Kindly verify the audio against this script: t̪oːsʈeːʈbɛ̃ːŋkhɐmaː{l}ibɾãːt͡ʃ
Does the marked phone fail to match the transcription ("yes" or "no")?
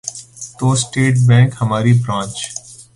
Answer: yes